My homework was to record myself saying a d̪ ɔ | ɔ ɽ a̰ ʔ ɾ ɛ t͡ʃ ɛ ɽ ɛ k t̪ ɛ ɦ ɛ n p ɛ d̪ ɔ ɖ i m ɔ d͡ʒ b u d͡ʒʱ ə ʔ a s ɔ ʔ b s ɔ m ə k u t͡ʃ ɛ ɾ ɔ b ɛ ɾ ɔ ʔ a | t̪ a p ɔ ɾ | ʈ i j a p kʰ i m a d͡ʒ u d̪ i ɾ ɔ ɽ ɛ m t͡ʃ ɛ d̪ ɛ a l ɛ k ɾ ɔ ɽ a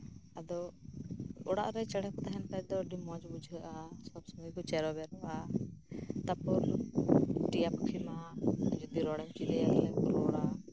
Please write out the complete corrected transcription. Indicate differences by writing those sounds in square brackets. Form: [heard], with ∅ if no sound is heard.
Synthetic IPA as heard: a d̪ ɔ | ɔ ɽ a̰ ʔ ɾ ɛ t͡ʃ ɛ ɽ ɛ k t̪ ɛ ɦ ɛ n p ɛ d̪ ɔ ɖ i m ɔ d͡ʒ b u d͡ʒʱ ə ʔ a s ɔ [∅] b s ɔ m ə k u t͡ʃ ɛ ɾ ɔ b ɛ ɾ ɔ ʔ a | t̪ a p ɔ ɾ | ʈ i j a p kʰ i m a d͡ʒ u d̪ i ɾ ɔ ɽ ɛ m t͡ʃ [i] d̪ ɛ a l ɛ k ɾ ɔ ɽ a